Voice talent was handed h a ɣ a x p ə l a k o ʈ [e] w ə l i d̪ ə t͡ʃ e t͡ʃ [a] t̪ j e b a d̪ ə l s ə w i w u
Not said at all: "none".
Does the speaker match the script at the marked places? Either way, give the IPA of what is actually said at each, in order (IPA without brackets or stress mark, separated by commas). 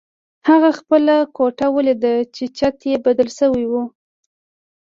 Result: a, a